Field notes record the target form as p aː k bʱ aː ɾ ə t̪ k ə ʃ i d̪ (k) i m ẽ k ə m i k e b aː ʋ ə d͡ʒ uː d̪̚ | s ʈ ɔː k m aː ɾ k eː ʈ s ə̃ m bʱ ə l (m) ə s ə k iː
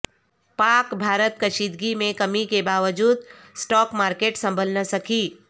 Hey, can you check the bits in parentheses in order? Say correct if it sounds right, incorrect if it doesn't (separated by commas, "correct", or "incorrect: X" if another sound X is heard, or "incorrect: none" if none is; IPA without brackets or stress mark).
incorrect: ɡ, incorrect: n